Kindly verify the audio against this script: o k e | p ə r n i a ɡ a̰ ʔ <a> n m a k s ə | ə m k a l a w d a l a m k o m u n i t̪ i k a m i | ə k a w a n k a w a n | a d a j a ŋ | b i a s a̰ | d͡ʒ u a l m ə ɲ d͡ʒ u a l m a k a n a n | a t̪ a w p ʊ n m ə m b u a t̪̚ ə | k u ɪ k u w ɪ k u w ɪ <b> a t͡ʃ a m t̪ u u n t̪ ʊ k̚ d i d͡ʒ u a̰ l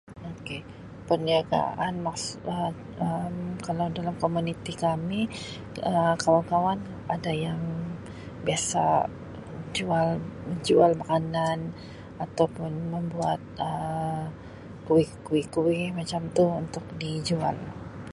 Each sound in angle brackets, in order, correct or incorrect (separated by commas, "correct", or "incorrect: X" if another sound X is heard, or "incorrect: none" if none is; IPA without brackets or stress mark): correct, incorrect: m